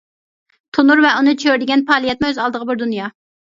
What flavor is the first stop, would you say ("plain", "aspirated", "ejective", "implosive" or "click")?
aspirated